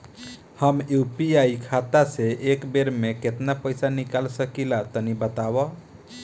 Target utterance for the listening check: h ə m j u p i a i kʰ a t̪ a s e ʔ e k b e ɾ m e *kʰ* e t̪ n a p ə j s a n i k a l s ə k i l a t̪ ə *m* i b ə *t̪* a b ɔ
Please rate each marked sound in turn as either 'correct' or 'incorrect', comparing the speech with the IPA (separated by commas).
incorrect, incorrect, correct